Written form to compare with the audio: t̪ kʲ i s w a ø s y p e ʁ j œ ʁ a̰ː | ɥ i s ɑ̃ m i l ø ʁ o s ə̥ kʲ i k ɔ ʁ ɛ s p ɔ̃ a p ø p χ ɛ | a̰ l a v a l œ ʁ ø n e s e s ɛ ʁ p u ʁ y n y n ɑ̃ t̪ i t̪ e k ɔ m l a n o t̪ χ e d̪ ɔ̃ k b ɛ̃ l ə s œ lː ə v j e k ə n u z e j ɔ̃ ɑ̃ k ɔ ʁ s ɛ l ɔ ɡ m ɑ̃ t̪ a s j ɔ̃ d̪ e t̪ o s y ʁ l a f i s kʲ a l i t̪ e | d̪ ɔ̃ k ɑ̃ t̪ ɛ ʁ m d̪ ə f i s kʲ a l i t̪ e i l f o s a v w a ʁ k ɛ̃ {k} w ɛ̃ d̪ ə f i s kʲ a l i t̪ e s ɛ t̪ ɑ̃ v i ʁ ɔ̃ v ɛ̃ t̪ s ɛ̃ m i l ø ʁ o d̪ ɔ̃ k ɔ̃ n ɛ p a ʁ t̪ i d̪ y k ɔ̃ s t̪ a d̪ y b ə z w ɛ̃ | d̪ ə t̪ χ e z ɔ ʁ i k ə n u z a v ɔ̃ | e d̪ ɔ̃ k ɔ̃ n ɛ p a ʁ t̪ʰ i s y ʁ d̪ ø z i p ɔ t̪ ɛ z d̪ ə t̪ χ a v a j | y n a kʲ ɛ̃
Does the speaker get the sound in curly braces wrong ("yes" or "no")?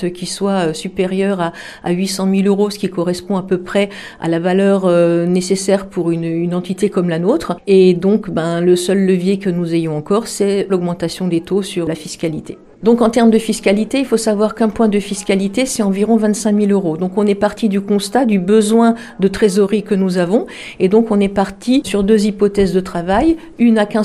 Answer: yes